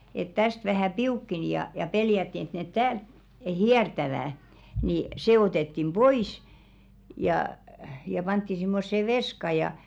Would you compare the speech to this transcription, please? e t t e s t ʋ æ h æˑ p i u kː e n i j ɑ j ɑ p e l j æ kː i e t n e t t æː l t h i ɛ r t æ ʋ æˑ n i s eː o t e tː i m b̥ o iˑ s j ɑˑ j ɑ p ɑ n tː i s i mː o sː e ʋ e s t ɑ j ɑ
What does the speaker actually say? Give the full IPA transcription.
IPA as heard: e t t æ s t ʋ æ h æˑ p i u kː e n i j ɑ j ɑ p e l j æ tː i e t n e t t æː l t h i ɛ r t æ ʋ æˑ n i s eː o t e tː i m b̥ o iˑ s j ɑˑ j ɑ p ɑ n tː i s i mː o sː e ʋ e s k ɑ j ɑ